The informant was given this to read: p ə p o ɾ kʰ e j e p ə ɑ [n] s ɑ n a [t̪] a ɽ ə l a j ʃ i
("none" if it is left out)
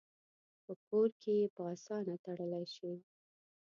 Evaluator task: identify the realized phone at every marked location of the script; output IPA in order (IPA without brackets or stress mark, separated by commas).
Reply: none, t̪